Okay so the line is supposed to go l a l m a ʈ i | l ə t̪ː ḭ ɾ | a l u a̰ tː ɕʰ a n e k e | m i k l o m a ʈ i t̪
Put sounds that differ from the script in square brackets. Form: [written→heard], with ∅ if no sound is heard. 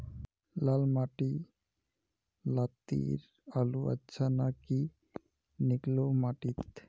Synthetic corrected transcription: l a l m a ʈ i | l [ə→a] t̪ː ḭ ɾ | a l u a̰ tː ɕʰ a n [e→a] k [e→i] | [m→n] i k l o m a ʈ i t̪